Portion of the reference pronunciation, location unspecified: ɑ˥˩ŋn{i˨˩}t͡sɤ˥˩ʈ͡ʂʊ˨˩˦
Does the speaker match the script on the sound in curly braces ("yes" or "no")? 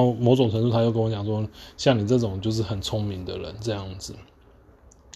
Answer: yes